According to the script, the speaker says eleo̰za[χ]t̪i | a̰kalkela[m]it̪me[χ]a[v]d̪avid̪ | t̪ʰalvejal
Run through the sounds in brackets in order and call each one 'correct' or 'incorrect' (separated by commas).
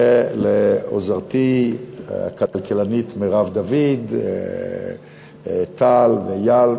incorrect, incorrect, incorrect, correct